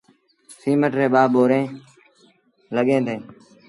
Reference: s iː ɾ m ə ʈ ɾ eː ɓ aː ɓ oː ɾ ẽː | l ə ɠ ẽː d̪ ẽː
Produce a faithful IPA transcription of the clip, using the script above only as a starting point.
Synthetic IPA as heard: s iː m ə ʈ ɾ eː ɓ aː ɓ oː ɾ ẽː | l ə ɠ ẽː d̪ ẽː